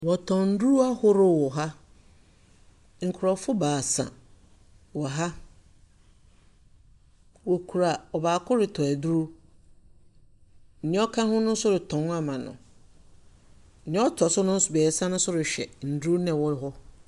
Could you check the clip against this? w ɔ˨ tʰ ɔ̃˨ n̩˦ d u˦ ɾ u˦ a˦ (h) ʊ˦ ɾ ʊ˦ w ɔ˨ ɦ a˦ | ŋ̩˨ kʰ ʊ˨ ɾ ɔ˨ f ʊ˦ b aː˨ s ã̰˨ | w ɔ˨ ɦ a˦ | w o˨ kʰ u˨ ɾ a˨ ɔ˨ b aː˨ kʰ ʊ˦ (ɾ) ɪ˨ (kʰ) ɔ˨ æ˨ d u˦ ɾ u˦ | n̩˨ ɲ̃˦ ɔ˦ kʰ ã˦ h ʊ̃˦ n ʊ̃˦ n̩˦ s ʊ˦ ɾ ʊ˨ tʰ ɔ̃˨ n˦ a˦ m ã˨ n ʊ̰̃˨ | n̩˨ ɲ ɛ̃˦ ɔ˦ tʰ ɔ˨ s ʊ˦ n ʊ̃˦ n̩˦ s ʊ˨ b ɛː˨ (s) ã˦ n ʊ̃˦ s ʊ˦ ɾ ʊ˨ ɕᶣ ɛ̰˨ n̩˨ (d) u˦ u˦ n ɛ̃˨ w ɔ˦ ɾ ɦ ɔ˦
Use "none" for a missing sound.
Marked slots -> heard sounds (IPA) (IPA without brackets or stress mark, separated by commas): h, ɾ, tʰ, s, d